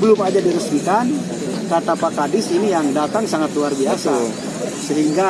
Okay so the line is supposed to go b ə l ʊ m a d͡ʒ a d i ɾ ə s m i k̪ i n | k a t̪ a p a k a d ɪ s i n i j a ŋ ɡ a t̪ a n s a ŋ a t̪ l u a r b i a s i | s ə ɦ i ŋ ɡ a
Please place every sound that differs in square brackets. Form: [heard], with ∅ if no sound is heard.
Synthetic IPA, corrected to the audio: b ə l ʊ m a d͡ʒ a d i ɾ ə s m i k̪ [a] n | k a t̪ a p a k a d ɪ s i n i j a ŋ [d] a t̪ a [ŋ] s a ŋ a t̪ l u a r b i a s [a] | s ə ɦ i ŋ ɡ a

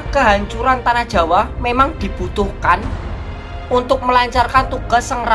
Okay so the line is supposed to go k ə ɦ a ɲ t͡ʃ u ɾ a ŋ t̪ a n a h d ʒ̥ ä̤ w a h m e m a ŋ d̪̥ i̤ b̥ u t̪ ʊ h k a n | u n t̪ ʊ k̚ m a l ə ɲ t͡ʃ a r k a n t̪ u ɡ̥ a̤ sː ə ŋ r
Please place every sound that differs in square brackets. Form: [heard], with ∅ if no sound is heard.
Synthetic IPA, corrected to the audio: k ə ɦ a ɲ t͡ʃ u ɾ a [n] t̪ a n a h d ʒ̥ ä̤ w a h m e m a ŋ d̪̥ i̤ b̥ u t̪ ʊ h k a n | u n t̪ ʊ k̚ m [ə] l [a] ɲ t͡ʃ a r k a n t̪ u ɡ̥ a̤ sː ə ŋ r

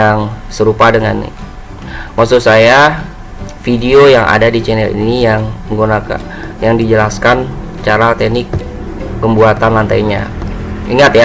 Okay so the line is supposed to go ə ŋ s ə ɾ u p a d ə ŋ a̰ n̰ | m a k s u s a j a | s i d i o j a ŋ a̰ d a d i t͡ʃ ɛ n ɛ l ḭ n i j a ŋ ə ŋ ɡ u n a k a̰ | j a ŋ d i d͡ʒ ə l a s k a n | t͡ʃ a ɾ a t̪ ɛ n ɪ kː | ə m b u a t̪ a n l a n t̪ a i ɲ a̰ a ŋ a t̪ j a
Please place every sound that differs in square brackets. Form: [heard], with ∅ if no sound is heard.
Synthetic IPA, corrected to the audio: [a] ŋ s ə ɾ u p a d ə ŋ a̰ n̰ | m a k s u s a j a | [f] i d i o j a ŋ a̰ d a d i t͡ʃ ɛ n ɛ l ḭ n i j a ŋ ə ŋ ɡ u n a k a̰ | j a ŋ d i d͡ʒ ə l a s k a n | t͡ʃ a ɾ a t̪ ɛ n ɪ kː | ə m b u a t̪ a n l a n t̪ a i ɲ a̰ [i] ŋ a t̪ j a

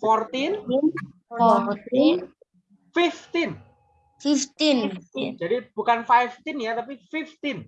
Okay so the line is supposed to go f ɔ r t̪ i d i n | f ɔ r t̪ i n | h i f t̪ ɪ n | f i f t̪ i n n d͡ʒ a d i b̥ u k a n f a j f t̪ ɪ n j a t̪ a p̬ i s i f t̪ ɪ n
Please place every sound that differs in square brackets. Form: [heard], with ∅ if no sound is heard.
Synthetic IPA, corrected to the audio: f ɔ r t̪ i [n] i n | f ɔ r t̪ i n | [f] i f t̪ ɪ n | f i f t̪ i n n d͡ʒ a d i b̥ u k a n f a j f t̪ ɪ n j a t̪ a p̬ i [f] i f t̪ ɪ n

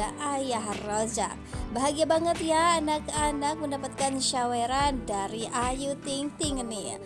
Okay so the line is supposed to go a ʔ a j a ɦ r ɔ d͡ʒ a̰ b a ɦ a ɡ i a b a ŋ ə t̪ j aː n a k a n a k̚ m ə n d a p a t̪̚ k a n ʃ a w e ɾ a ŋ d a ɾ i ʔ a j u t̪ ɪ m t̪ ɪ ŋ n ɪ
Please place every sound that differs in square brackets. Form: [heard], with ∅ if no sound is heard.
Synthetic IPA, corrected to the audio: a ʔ a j a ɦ r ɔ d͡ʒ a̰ b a ɦ a ɡ i a b a ŋ ə t̪ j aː n a k a n a k̚ m ə n d a p a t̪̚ k a n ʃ a w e ɾ a [n] d a ɾ i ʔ a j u t̪ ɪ [ŋ] t̪ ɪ ŋ n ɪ

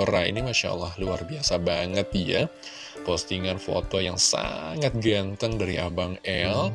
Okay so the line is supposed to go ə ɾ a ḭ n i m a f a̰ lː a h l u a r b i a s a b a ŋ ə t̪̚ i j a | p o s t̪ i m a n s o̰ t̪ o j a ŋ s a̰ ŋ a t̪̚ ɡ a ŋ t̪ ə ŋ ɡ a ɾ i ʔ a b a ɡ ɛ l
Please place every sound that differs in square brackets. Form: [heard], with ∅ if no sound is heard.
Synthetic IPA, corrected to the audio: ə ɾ a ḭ n i m a [ʃ] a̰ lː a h l u a r b i a s a b a ŋ ə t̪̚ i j a | p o s t̪ i [ŋ] a n [f] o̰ t̪ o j a ŋ s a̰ ŋ a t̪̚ ɡ a [n] t̪ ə ŋ [d] a ɾ i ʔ a b a [ŋ] ɛ l

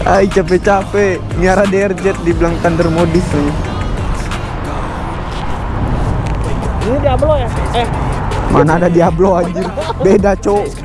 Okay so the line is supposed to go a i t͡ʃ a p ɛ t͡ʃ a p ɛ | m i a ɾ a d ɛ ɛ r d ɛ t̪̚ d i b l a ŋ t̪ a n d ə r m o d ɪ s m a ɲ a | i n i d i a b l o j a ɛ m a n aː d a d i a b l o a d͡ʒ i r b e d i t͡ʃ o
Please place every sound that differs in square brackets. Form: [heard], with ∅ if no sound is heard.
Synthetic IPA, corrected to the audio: a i t͡ʃ a p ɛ t͡ʃ a p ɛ | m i a ɾ a d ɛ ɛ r [d͡ʒ] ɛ t̪̚ d i b l a ŋ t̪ a n d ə r m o d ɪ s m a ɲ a | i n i d i a b l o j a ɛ m a n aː d a d i a b l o a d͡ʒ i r b e d [a] t͡ʃ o

